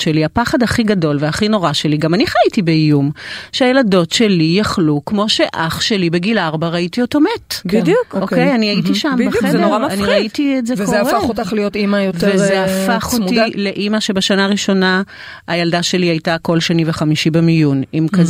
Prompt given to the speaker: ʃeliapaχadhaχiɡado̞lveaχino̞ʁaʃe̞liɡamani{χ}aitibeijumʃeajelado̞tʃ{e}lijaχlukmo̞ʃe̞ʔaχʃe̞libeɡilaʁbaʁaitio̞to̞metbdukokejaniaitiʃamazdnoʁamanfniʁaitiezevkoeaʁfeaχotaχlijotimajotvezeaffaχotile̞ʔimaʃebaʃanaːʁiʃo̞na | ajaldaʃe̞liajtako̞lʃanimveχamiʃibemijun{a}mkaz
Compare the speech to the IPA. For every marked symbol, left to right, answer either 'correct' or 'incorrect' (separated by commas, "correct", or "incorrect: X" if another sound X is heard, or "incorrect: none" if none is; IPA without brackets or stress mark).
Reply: correct, correct, incorrect: i